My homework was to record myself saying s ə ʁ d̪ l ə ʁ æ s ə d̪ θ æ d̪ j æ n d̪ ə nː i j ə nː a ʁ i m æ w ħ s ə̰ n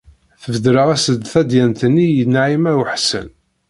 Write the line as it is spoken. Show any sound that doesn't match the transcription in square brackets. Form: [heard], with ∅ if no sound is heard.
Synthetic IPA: [θ] ə [v] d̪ [ɾ] ə ʁ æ s ə d̪ θ æ d̪ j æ n [t̪] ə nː i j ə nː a [ʕ] i m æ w ħ s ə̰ n